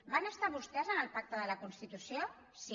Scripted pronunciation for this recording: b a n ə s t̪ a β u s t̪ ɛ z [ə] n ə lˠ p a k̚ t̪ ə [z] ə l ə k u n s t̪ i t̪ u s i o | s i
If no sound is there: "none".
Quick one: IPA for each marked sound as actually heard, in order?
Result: ə, ð

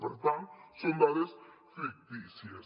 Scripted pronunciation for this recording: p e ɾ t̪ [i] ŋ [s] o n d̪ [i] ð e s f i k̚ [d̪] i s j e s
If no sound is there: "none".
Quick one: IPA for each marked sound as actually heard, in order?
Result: a, s, a, t̪

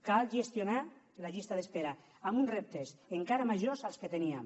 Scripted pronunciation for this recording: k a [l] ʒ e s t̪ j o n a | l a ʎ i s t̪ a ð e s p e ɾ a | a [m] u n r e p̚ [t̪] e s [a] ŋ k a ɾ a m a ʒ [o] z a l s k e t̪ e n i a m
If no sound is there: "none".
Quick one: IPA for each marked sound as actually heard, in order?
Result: l, m, t̪, e, o

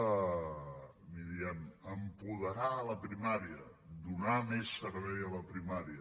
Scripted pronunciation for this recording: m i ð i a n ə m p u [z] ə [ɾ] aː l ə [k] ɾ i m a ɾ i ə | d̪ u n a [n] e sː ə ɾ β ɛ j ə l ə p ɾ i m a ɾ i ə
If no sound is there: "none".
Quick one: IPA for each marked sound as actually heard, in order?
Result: ð, ɾ, p, m

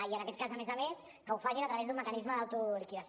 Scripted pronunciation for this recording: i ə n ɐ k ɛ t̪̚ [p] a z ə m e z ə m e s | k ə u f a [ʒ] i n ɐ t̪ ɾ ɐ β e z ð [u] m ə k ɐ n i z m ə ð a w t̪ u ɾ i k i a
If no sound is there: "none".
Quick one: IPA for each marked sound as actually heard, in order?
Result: k, ʒ, u

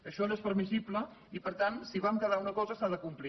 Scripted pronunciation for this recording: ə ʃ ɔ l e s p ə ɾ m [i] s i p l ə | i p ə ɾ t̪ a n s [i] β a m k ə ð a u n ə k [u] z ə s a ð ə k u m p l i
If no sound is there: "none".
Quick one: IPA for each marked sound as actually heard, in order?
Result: i, i, ɔ

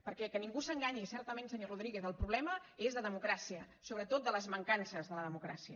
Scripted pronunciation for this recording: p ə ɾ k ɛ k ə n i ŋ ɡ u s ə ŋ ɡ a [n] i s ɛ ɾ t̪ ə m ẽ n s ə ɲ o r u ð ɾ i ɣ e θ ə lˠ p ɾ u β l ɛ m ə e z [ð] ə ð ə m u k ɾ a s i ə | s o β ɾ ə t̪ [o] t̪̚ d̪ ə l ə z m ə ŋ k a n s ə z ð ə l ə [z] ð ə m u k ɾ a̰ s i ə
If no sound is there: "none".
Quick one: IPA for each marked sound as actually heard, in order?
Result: ɲ, ð, o, none

